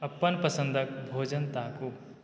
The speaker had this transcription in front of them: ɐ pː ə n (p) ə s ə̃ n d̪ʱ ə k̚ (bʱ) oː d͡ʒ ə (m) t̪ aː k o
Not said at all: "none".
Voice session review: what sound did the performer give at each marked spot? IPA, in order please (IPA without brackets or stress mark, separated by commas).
p, bʱ, n